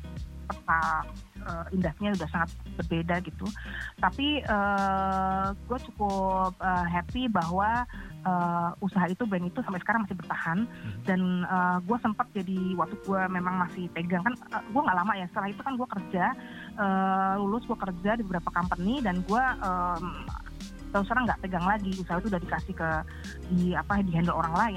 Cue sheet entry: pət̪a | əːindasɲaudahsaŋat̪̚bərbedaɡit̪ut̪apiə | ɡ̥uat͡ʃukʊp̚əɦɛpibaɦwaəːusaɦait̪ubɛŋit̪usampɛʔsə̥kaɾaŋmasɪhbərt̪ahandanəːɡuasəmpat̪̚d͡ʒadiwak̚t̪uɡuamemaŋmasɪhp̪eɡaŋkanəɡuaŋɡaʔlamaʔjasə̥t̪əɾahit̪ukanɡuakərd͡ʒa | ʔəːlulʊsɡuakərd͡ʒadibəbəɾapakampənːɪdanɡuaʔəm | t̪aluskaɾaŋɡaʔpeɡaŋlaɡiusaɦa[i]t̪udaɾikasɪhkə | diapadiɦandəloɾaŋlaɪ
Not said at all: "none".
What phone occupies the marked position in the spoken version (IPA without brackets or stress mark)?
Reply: i